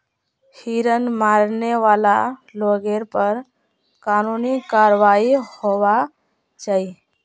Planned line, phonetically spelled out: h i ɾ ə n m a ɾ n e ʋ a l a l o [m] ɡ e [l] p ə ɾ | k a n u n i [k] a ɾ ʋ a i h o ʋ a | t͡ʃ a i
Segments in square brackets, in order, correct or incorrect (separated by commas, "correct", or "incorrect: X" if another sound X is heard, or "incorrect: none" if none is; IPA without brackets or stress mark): incorrect: none, incorrect: ɾ, correct